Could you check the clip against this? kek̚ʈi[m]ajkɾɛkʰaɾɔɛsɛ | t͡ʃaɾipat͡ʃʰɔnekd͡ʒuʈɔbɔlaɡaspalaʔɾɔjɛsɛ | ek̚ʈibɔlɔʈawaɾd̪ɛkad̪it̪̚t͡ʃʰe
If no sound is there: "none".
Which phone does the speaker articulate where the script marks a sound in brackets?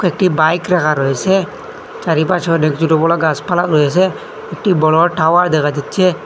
b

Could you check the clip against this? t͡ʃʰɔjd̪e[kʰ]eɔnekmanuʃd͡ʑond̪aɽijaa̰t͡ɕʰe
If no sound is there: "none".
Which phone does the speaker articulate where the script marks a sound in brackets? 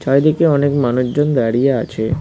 k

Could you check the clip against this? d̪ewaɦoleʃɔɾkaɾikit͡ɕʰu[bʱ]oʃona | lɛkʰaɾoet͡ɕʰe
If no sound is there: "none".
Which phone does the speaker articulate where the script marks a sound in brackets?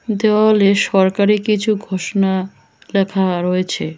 ɡʱ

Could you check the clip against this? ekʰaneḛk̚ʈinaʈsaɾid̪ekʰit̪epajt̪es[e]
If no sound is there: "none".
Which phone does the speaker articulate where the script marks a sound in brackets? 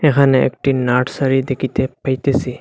i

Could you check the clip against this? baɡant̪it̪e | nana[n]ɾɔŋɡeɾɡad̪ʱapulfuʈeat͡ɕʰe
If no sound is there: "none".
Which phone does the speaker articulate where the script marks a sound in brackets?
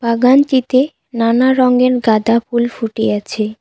none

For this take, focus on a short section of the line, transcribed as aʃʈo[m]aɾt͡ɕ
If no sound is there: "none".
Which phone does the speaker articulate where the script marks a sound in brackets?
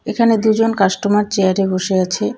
m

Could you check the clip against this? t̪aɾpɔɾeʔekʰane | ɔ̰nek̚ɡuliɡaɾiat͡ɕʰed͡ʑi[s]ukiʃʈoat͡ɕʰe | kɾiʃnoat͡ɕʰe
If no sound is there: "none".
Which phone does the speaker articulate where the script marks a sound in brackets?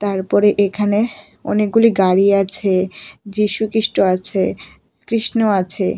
ʃ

